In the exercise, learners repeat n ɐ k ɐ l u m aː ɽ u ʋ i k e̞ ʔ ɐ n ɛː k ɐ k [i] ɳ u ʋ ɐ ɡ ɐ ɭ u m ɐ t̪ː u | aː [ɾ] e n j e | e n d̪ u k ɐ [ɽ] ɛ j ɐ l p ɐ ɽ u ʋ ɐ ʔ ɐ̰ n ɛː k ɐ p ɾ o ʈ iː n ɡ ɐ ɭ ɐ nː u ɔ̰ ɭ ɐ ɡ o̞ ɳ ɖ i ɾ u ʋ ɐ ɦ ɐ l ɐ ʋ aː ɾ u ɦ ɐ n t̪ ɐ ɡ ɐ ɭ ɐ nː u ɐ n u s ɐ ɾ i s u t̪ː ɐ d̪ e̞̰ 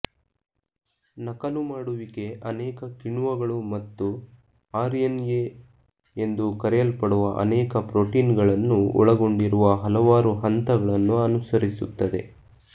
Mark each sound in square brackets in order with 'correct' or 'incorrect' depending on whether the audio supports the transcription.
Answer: correct, correct, incorrect: ɾ

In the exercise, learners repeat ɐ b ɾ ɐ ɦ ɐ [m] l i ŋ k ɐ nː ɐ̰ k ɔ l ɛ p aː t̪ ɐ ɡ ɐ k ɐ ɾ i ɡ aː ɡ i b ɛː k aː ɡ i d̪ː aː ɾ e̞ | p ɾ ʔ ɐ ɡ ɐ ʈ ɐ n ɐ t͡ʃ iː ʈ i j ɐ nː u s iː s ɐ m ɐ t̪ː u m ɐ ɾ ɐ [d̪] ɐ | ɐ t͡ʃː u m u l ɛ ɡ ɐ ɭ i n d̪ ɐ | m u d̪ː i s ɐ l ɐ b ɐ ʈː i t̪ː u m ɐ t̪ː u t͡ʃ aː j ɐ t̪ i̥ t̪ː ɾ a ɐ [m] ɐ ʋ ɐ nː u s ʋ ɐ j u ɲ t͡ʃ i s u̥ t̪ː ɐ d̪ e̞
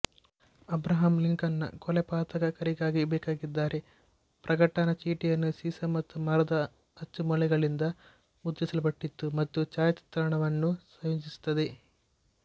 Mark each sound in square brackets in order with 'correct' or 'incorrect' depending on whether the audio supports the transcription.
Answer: correct, correct, incorrect: ɳ

